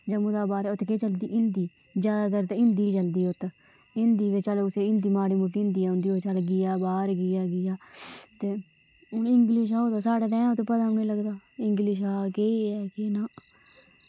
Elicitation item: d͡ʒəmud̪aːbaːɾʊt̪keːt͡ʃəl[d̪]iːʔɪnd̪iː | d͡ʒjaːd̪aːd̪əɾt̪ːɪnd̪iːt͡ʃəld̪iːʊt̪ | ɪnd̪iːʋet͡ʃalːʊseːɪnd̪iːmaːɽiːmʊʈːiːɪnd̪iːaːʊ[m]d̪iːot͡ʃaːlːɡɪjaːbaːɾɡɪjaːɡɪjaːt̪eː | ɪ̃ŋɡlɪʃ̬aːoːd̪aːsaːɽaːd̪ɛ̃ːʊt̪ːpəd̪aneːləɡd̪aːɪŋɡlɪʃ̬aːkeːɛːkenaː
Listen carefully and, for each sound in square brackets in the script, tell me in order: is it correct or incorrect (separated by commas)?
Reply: correct, incorrect